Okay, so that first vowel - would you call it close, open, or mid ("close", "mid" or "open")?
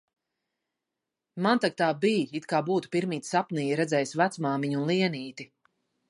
open